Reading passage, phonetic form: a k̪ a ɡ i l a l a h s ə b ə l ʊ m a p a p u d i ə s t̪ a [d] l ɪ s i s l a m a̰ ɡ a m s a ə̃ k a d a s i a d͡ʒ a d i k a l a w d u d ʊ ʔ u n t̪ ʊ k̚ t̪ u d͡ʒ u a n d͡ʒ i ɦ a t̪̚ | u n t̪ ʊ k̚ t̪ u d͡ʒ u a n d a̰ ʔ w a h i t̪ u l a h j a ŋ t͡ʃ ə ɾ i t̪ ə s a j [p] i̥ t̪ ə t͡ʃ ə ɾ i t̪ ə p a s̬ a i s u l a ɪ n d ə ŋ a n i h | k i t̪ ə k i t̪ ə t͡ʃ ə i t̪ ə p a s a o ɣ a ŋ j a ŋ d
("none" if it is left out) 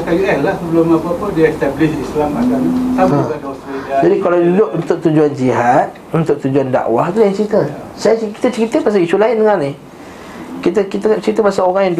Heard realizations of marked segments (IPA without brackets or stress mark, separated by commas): b, k